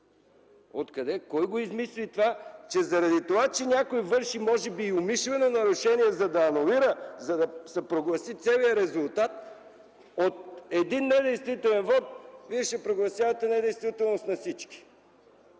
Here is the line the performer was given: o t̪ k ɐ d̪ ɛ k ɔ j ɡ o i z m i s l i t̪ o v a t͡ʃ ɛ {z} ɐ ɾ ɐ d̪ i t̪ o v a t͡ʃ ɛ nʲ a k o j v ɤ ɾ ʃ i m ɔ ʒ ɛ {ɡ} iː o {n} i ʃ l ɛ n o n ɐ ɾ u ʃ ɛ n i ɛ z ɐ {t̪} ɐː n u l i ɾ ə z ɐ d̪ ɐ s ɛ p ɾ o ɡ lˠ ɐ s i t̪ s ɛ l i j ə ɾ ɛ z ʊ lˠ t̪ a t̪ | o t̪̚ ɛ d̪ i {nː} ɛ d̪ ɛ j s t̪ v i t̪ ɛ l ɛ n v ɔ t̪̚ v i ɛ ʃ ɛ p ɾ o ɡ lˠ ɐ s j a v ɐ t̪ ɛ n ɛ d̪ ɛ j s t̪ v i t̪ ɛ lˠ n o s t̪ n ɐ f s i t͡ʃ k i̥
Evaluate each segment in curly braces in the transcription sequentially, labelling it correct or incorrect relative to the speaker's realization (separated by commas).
correct, incorrect, incorrect, incorrect, correct